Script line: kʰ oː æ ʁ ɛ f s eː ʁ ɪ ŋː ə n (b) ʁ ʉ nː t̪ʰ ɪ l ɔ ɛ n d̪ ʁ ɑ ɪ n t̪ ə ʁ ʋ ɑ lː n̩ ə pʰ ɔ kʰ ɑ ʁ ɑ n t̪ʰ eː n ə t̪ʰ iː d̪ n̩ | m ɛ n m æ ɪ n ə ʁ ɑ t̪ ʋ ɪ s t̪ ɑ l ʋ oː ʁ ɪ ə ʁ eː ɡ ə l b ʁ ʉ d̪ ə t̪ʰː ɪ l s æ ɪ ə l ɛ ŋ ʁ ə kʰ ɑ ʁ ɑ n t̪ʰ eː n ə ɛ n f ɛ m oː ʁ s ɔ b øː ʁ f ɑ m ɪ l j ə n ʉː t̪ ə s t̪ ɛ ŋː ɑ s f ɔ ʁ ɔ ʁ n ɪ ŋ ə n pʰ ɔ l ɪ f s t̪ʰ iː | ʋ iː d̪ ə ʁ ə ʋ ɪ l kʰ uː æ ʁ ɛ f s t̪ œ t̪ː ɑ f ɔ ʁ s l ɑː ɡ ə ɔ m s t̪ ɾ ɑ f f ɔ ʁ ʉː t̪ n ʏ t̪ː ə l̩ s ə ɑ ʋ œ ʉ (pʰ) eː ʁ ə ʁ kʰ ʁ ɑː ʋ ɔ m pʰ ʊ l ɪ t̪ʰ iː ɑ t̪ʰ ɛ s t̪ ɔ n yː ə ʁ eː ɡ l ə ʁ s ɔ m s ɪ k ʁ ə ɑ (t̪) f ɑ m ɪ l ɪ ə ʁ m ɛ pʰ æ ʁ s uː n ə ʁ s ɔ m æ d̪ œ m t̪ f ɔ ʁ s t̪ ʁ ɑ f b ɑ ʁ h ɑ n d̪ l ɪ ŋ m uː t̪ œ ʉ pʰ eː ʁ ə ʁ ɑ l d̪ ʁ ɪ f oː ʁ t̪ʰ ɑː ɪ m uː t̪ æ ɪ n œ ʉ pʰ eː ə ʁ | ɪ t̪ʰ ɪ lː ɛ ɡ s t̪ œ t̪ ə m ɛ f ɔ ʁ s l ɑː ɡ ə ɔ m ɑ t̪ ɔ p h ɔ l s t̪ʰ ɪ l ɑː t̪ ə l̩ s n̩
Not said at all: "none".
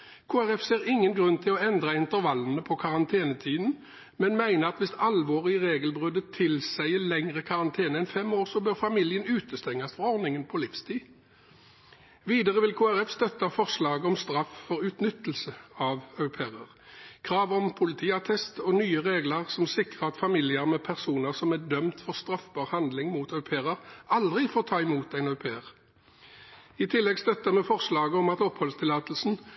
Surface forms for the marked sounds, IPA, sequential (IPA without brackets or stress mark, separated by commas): ɡ, pʰ, t̪